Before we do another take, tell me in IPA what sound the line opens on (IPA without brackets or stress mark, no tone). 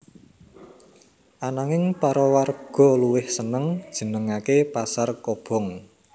ʔ